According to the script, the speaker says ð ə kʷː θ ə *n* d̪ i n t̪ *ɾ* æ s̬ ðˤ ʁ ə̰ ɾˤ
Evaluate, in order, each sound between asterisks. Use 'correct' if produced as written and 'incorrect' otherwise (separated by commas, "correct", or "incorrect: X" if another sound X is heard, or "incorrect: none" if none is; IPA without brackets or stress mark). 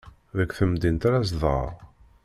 incorrect: m, correct